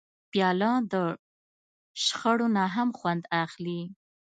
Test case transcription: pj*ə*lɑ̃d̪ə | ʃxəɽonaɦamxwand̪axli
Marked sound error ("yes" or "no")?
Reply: yes